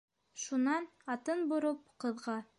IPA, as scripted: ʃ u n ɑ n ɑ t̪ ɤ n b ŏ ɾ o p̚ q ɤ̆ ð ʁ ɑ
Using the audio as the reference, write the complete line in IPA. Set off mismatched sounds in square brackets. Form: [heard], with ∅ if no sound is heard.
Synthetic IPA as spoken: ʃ u n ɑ n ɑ t̪ ɤ n b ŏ ɾ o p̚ q ɤ̆ ð ʁ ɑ